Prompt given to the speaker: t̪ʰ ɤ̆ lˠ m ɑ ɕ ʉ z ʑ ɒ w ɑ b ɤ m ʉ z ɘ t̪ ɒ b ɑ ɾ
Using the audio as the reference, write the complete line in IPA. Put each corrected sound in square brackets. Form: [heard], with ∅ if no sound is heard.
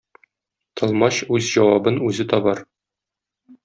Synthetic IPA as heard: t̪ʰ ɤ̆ lˠ m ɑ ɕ ʉ z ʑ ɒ w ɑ b ɤ [n] ʉ z ɘ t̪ ɒ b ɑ ɾ